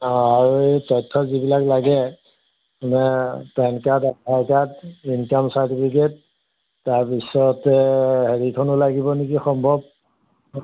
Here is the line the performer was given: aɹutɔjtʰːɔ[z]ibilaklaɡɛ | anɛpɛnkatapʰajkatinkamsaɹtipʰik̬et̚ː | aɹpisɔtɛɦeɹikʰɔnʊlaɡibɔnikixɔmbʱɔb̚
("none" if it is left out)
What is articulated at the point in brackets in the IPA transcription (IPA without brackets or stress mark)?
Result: z